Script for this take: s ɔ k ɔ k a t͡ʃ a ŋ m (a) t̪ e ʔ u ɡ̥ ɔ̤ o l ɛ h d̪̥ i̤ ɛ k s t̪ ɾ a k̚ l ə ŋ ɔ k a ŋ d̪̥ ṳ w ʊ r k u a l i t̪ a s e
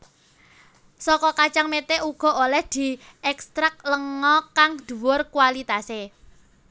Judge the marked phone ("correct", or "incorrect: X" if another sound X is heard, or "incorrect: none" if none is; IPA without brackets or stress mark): incorrect: e